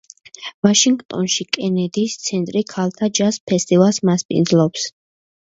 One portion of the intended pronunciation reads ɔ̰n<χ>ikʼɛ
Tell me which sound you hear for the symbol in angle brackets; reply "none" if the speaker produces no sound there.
ʃ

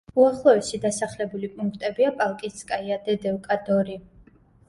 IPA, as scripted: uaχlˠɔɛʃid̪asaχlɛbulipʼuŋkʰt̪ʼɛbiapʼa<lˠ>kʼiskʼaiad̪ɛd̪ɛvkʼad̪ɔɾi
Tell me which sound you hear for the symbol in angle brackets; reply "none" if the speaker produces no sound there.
lˠ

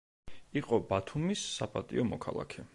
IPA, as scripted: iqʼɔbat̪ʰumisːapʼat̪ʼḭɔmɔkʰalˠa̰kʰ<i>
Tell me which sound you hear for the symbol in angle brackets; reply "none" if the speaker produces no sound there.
ɛ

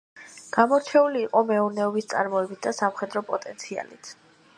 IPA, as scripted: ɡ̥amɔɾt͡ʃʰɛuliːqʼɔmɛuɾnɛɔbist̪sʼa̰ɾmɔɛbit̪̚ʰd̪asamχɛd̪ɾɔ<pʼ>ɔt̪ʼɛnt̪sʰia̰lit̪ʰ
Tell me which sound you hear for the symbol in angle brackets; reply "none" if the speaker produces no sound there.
pʼ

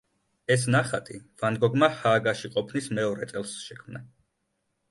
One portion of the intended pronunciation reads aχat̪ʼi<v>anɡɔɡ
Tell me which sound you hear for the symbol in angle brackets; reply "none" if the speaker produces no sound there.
v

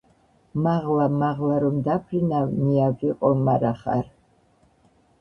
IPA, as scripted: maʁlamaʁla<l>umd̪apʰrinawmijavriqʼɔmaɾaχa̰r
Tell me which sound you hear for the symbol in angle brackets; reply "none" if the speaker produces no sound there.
ɾ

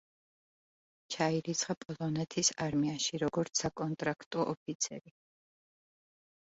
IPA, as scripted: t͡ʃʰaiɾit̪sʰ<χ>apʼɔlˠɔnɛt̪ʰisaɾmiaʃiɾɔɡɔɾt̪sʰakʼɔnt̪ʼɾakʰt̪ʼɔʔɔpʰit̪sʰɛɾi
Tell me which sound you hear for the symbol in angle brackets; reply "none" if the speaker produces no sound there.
χ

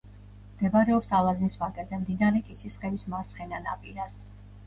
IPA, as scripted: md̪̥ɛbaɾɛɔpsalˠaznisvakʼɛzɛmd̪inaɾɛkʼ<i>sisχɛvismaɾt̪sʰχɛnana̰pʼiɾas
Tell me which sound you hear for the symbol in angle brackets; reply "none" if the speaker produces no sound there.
i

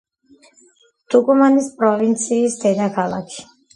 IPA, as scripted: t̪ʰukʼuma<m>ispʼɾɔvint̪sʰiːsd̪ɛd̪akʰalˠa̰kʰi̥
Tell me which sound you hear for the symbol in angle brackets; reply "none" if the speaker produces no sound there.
n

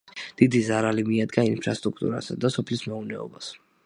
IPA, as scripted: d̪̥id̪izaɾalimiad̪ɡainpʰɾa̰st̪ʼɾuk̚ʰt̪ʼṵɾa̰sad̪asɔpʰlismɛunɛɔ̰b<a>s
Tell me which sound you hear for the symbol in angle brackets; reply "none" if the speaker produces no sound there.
a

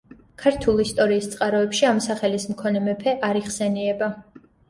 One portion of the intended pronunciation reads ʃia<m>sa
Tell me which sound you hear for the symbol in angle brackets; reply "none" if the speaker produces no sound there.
m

